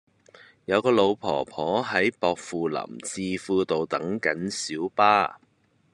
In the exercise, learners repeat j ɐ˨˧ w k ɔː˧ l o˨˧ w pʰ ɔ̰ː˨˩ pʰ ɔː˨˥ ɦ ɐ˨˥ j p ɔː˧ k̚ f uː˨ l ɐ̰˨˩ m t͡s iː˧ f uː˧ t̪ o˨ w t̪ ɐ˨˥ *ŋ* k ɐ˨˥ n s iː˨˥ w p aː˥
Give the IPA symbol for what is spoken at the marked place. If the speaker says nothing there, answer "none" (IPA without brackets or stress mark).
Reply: ŋ